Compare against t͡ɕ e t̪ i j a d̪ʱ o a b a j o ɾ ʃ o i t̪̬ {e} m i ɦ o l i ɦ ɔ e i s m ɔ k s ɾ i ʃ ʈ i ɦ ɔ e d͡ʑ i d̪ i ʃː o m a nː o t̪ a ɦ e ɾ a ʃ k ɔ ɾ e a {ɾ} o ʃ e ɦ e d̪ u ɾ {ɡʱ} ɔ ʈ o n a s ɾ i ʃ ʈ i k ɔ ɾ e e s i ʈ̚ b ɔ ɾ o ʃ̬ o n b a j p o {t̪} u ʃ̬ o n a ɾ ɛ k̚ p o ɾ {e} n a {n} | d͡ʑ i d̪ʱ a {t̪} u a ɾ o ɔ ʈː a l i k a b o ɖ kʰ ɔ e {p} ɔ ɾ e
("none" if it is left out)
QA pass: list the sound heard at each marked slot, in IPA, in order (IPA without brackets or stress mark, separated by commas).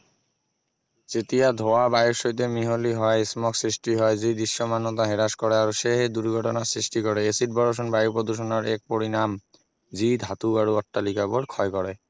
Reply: e, ɾ, ɡʱ, d̪, i, m, t̪, k